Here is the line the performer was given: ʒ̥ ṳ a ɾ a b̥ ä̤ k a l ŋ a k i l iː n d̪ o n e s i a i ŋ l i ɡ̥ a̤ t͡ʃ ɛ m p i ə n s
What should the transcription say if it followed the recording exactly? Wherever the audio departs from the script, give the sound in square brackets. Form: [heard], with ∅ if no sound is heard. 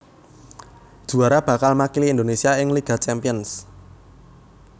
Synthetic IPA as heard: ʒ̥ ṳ a ɾ a b̥ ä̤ k a l [m] a k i l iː n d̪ o n e s i a [ɪ] ŋ l i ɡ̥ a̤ t͡ʃ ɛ m p i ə n s